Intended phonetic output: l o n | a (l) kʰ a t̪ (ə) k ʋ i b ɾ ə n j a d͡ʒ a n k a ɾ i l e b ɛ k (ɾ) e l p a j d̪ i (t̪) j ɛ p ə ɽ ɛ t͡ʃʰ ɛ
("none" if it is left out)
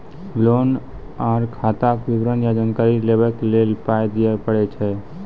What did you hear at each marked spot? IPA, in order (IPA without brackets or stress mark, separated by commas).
ɾ, a, l, none